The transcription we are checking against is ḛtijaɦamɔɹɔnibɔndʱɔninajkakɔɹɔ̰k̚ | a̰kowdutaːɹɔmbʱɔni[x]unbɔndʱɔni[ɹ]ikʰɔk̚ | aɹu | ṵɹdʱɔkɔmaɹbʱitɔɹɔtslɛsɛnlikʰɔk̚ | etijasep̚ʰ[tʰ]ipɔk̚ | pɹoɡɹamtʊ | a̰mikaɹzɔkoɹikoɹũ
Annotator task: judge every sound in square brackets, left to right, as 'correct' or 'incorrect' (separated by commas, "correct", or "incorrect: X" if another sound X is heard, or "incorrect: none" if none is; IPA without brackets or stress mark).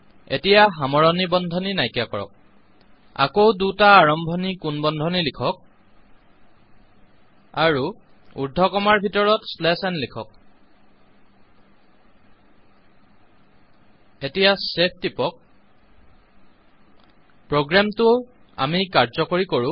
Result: incorrect: k, incorrect: l, incorrect: t